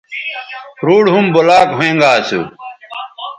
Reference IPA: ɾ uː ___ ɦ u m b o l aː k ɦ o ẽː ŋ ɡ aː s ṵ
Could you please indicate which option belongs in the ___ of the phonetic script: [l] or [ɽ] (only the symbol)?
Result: ɽ